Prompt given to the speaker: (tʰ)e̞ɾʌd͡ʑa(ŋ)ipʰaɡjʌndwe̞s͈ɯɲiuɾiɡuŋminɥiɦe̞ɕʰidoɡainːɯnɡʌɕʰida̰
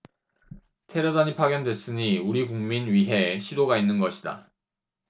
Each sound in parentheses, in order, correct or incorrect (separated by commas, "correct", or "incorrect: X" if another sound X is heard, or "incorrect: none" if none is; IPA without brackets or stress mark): correct, incorrect: ɲ